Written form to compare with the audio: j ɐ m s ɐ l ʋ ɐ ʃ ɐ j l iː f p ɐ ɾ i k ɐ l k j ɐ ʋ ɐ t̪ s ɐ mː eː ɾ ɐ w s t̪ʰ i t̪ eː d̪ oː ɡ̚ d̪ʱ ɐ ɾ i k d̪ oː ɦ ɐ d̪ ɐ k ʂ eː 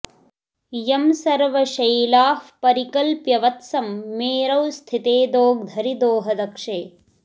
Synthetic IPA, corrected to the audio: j ɐ m s ɐ ɾ ʋ ɐ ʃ ɐ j l aː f p ɐ ɾ i k ɐ l p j ɐ ʋ ɐ t̪ s ɐ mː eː ɾ ɐ w s t̪ʰ i t̪ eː d̪ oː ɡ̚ d̪ʱ ɐ ɾ i d̪ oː ɦ ɐ d̪ ɐ k ʂ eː